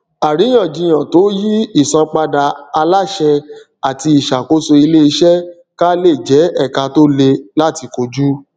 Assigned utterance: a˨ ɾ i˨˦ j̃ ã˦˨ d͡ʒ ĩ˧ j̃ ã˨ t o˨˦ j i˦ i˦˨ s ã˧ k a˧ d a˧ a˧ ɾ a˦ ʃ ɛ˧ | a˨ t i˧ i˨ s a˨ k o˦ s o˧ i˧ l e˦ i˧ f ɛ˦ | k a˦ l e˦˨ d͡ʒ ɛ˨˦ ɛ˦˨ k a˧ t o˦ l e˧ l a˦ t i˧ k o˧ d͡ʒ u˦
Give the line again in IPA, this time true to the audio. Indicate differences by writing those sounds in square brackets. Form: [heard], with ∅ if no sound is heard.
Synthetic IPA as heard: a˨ ɾ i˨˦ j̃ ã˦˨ d͡ʒ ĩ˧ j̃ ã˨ t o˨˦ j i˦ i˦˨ s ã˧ [k͡p] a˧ d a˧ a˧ [l] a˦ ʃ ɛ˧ | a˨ t i˧ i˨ [ʃ] a˨ k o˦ s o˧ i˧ l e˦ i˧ [ʃ] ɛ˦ | k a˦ l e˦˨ d͡ʒ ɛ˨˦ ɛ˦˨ k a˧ t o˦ l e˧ l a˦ t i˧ k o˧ d͡ʒ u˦